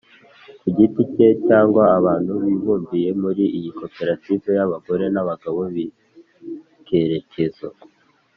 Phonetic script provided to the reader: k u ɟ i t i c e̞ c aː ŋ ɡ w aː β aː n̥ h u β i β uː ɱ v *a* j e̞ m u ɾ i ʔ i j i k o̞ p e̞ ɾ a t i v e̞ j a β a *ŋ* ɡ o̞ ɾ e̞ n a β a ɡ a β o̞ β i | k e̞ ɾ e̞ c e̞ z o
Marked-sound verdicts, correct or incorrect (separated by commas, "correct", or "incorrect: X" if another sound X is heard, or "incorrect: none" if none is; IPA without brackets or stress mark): incorrect: i, incorrect: none